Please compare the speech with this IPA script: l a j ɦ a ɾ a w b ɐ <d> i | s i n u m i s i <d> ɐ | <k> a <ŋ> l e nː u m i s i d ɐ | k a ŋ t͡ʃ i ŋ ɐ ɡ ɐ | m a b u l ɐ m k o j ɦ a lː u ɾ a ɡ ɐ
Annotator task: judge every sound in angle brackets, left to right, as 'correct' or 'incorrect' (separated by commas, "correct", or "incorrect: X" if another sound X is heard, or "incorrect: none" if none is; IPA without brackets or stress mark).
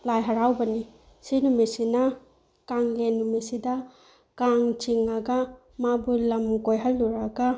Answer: incorrect: n, incorrect: n, correct, correct